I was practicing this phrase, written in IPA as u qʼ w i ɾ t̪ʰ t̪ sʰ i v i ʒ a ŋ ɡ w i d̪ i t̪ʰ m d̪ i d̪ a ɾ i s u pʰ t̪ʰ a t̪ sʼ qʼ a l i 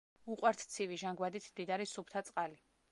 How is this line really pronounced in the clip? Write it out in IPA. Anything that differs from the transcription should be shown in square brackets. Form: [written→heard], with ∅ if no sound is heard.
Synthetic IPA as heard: u qʼ w [i→a] ɾ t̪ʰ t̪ sʰ i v i ʒ a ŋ ɡ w [i→a] d̪ i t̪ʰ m d̪ i d̪ a ɾ i s u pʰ t̪ʰ a t̪ sʼ qʼ a l i